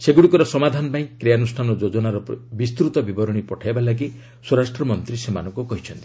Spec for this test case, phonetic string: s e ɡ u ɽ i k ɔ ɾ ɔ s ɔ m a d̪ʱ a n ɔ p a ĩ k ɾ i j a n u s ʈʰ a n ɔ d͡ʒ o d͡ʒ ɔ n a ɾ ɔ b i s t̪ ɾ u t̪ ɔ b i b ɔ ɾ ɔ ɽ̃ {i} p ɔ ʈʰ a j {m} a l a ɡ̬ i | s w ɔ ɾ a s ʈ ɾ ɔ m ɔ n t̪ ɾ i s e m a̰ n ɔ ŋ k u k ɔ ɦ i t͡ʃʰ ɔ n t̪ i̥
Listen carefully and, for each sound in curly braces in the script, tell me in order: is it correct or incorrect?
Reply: correct, incorrect: b

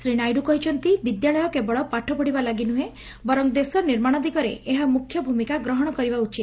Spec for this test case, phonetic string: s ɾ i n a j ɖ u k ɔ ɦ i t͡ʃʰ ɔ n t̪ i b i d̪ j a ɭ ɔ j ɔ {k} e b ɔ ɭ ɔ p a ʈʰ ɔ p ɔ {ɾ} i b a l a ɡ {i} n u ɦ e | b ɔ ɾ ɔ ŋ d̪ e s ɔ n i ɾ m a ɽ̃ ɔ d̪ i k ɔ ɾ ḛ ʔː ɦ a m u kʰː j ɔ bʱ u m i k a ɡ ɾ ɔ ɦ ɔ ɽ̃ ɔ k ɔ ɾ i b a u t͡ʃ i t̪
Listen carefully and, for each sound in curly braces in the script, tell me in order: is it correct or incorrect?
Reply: correct, incorrect: ɽ, correct

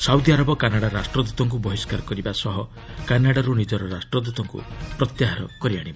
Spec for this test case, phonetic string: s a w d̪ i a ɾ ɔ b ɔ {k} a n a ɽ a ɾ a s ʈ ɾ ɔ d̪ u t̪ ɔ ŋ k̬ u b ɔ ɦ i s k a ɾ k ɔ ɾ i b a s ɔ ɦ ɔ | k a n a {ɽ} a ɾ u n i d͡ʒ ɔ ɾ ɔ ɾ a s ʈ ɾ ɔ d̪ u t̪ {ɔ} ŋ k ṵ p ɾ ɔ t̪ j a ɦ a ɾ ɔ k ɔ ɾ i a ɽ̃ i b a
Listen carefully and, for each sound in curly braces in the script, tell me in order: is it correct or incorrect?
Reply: correct, correct, correct

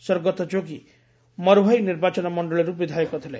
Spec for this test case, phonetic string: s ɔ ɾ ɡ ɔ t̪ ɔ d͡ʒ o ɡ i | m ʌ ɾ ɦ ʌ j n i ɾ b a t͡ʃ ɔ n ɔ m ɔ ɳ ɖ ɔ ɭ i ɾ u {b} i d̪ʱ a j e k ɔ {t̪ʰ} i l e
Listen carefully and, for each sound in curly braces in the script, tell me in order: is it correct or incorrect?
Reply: correct, correct

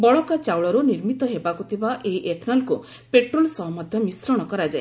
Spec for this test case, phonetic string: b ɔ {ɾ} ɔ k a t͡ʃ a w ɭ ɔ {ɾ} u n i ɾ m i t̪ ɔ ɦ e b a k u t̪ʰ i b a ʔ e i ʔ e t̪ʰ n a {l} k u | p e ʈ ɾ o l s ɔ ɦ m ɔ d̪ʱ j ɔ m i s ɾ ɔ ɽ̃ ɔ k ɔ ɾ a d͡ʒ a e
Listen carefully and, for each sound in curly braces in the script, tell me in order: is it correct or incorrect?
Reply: incorrect: ɭ, correct, correct

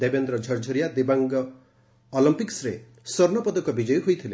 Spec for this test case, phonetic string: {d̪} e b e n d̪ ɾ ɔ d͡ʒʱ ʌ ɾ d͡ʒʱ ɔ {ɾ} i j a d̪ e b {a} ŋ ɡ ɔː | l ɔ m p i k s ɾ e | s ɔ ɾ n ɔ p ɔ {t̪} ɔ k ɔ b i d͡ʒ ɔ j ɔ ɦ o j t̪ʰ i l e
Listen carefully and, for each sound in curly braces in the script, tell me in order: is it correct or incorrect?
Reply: correct, correct, correct, incorrect: d̪

